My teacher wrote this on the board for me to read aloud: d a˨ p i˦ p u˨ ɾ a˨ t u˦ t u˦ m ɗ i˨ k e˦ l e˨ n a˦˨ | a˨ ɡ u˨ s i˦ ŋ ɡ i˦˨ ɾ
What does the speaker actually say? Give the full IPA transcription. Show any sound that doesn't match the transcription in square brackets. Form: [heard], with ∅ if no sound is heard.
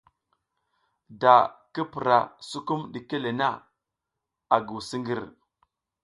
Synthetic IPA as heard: d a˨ [k] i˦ p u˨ ɾ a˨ [s] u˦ [k] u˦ m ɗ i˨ k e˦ l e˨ n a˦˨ | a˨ ɡ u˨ s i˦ ŋ ɡ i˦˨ ɾ